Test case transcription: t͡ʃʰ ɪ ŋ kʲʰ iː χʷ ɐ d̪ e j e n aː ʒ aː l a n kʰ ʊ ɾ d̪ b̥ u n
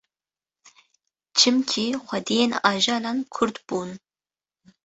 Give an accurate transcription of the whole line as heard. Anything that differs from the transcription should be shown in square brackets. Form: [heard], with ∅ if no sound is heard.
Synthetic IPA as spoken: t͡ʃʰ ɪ [m] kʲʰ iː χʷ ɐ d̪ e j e n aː ʒ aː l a n kʰ ʊ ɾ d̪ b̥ u n